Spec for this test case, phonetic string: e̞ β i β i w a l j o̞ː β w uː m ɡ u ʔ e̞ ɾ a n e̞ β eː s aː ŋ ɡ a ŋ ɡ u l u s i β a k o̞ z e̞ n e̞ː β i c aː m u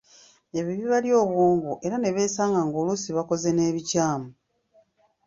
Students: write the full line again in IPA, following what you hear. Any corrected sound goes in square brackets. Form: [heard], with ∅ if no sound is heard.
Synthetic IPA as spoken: e̞ β i β i [β] a l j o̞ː β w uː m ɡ u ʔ e̞ ɾ a n e̞ β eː s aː ŋ ɡ a ŋ ɡ [o] l u s i β a k o̞ z e̞ n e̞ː β i c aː m u